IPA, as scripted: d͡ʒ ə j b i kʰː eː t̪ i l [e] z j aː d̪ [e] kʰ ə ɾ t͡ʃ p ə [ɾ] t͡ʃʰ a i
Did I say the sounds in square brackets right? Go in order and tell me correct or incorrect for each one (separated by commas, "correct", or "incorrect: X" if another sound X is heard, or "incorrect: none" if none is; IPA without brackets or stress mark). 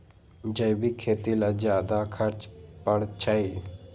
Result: incorrect: a, incorrect: a, incorrect: ɽ